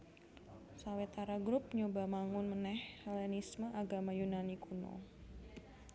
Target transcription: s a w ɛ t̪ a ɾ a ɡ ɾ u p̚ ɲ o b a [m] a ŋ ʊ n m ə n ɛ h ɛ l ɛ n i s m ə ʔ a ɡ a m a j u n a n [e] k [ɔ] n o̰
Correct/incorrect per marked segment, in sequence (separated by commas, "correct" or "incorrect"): correct, incorrect, incorrect